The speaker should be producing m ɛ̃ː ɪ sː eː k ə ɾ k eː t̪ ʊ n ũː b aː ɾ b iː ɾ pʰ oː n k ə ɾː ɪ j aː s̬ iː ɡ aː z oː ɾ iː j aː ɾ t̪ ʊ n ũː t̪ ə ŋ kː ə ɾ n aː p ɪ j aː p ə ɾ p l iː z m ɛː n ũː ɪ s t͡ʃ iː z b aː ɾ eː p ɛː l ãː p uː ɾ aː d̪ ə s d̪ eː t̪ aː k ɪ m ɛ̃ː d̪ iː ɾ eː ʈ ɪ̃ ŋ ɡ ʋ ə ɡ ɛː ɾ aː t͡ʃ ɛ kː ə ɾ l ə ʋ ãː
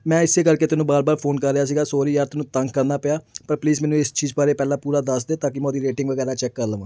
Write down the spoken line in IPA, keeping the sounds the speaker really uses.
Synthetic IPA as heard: m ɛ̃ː ɪ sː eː k ə ɾ k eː t̪ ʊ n ũː b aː ɾ b aː ɾ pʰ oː n k ə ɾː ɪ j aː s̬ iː ɡ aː s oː ɾ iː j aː ɾ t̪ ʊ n ũː t̪ ə ŋ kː ə ɾ n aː p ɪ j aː p ə ɾ p l iː z m ɛː n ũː ɪ s t͡ʃ iː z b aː ɾ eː p ɛː l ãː p uː ɾ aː d̪ ə s d̪ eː t̪ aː k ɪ m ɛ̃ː d̪ iː ɾ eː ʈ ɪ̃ ŋ ɡ ʋ ə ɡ ɛː ɾ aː t͡ʃ ɛ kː ə ɾ l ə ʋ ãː